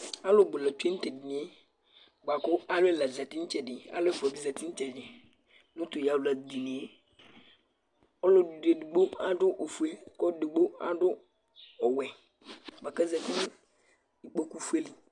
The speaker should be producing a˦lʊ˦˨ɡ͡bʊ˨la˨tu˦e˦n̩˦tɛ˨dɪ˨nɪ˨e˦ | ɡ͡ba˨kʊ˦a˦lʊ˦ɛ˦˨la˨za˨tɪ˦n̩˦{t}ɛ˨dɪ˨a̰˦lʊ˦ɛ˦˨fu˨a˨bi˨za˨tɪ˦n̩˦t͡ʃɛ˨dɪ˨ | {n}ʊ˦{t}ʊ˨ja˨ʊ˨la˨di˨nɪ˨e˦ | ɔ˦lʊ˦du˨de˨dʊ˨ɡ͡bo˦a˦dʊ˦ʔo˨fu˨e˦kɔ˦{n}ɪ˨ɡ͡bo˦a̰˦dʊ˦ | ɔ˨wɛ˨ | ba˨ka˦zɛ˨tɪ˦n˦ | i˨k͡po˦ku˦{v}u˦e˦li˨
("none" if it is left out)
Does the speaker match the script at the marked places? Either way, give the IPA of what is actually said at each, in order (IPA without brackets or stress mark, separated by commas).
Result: t͡ʃ, n, t, d, f